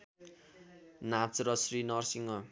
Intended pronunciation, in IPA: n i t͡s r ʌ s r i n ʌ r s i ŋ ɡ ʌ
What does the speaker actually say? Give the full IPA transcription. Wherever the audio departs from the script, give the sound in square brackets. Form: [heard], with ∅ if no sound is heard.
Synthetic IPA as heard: n [a] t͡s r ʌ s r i n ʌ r s i ŋ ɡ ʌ